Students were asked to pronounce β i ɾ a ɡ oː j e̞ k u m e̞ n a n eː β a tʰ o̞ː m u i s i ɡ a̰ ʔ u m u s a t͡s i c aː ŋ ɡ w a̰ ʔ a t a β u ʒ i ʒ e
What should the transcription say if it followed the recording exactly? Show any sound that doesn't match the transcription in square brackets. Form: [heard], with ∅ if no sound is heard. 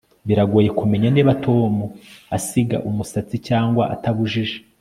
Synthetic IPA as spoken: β i ɾ a ɡ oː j e̞ k u m e̞ [ɲ] a n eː β a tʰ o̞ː m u [a] s i ɡ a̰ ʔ u m u s a t͡s i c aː ŋ ɡ w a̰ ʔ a t a β u ʒ i ʒ e